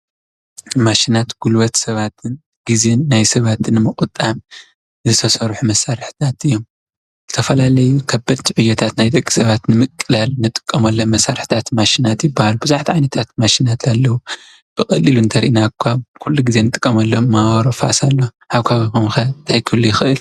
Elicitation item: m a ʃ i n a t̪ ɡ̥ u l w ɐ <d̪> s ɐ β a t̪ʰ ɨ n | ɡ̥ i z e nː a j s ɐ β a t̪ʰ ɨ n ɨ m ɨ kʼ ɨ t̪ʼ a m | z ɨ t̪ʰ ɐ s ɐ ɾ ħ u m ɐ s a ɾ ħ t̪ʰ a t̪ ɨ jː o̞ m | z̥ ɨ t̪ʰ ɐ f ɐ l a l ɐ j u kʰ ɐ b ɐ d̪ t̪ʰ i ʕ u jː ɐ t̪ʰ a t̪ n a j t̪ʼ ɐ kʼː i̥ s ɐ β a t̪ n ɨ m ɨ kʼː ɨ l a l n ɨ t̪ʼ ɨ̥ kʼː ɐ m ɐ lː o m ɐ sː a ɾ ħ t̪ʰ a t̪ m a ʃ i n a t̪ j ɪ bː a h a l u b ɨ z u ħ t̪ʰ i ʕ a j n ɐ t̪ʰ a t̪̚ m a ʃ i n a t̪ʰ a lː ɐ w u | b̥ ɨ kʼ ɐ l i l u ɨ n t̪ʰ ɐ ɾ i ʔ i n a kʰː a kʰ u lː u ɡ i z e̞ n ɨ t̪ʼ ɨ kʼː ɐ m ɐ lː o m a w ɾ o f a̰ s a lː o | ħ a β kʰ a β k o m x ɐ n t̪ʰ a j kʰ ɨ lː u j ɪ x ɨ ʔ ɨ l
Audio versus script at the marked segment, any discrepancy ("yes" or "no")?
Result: yes